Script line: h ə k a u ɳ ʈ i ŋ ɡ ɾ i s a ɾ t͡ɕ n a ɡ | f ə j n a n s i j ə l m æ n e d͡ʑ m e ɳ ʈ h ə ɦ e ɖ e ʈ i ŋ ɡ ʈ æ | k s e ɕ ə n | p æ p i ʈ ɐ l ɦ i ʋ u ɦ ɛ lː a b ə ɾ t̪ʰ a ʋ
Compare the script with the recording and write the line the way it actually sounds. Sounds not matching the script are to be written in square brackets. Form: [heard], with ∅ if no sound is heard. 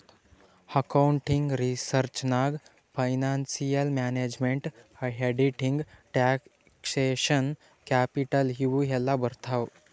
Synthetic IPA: h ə k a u ɳ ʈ i ŋ ɡ ɾ i s [ə] ɾ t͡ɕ n a ɡ | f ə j n a n s i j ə l m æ n e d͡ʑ m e ɳ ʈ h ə ɦ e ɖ [i] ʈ i ŋ ɡ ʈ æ | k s e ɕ ə n | [k] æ p i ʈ [ə] l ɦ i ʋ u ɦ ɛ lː a b ə ɾ t̪ʰ a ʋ